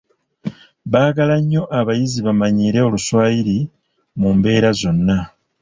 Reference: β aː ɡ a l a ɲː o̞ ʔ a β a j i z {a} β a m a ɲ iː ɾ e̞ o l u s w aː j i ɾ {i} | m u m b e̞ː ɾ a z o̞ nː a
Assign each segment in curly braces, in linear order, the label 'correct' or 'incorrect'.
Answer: incorrect, correct

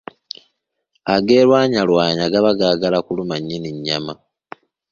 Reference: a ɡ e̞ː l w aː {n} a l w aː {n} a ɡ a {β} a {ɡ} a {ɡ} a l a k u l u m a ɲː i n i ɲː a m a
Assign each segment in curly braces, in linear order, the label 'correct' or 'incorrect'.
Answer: incorrect, incorrect, correct, correct, correct

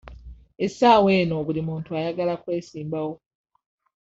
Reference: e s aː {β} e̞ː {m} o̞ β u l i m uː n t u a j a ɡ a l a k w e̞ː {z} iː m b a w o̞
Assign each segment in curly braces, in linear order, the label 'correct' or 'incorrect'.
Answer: incorrect, incorrect, incorrect

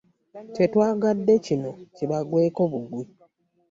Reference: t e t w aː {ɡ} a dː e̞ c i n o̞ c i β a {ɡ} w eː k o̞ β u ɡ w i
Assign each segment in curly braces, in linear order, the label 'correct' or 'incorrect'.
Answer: correct, correct

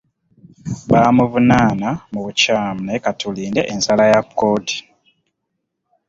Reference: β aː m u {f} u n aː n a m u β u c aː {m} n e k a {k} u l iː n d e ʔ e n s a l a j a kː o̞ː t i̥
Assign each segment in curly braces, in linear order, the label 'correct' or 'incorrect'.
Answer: incorrect, correct, incorrect

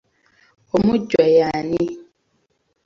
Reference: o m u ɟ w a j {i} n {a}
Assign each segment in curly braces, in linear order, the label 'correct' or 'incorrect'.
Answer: incorrect, incorrect

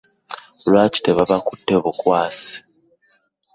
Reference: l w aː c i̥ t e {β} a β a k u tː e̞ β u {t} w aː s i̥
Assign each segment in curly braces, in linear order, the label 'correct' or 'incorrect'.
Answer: correct, incorrect

